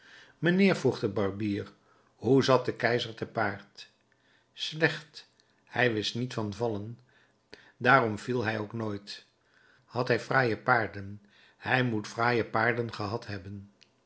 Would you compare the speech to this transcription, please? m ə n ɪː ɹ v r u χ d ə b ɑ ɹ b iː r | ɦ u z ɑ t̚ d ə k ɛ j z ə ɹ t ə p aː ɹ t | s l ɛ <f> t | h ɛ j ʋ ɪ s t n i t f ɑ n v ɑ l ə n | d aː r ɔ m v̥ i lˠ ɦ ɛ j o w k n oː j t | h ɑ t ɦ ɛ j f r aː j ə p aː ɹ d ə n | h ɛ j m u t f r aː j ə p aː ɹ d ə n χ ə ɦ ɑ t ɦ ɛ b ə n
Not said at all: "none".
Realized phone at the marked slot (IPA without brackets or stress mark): χ